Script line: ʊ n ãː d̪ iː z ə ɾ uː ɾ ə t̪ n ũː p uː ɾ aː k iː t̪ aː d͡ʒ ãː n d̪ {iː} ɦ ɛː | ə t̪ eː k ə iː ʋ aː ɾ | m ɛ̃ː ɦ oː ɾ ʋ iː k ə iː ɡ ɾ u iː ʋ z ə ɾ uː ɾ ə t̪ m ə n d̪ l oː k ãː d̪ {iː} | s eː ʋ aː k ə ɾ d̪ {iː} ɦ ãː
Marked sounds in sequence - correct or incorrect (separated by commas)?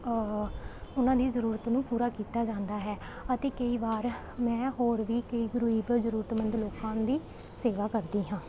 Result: incorrect, correct, correct